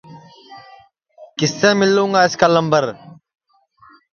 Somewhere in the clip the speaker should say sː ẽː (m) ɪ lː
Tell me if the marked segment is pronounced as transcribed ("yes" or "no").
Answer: yes